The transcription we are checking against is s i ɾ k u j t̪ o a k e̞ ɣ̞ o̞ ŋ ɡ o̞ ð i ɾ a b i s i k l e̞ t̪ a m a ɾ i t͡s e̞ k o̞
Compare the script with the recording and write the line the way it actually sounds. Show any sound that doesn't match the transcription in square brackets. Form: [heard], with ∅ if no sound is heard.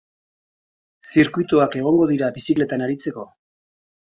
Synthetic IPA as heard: s i ɾ k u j t̪ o a k e̞ ɣ̞ o̞ ŋ ɡ o̞ ð i ɾ a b i s i k l e̞ t̪ a [n] a ɾ i t͡s e̞ k o̞